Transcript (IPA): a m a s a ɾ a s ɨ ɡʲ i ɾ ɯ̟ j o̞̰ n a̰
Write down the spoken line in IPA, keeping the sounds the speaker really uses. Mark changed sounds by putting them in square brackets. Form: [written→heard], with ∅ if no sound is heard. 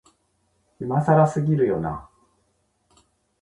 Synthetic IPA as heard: [a→i] m a s a ɾ a s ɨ ɡʲ i ɾ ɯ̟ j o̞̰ n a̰